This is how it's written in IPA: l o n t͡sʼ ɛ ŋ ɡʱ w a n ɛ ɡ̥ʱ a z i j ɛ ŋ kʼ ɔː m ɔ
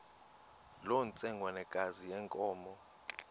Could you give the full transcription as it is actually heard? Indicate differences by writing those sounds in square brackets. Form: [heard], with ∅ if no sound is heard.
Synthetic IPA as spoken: l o n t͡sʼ ɛ ŋ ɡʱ w a n ɛ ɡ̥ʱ a z i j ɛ ŋ kʼ ɔː m ɔ